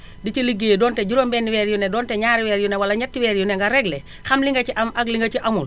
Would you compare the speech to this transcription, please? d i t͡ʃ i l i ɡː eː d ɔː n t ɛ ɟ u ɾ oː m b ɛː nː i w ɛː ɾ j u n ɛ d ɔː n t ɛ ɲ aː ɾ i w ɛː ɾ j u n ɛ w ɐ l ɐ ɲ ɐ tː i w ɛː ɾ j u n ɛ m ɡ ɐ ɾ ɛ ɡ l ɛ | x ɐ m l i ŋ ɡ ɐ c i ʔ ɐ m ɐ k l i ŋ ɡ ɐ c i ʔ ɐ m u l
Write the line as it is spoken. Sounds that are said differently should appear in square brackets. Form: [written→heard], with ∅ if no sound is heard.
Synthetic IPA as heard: d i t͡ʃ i l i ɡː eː d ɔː n t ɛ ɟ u ɾ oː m b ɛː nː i w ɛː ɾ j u n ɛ d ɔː n t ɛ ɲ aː ɾ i w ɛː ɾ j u n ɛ w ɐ l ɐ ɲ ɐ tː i w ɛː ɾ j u n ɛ [m→ŋ] ɡ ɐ ɾ ɛ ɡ l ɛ | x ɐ m l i ŋ ɡ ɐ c i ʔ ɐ m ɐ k l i ŋ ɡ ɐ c i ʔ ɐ m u l